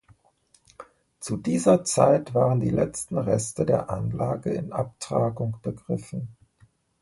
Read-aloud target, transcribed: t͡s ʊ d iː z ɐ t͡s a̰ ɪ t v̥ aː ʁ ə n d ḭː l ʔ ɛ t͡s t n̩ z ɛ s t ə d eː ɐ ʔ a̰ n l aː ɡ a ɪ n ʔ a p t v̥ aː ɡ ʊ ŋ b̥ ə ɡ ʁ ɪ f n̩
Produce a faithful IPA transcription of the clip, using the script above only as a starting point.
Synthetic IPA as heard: t͡s u d iː z ɐ t͡s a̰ ɪ t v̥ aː ʁ ə n d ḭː l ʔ ɛ t͡s t n̩ ʁ ɛ s t ə d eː ɐ ʔ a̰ n l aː ɡ ə ɪ n ʔ a p t ʁ̥ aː ɡ ʊ ŋ b̥ ə ɡ ʁ ɪ f n̩